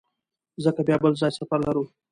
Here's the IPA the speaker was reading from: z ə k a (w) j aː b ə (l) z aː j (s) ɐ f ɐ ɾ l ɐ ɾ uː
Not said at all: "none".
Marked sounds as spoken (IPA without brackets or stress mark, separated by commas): b, l, s